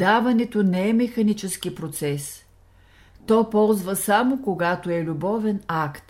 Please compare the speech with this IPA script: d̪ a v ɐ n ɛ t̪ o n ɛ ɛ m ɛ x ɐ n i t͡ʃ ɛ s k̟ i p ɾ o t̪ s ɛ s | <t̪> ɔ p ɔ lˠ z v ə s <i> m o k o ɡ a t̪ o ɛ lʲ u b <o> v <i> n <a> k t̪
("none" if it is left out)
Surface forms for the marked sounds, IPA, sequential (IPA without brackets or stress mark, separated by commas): t̪, a, ɔ, ɛ, a